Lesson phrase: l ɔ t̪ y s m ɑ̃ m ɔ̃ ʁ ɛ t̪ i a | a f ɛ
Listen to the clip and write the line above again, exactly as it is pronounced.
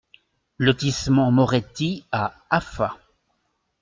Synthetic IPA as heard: l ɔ t̪ i s m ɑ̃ m ɔ ʁ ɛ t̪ i a | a f a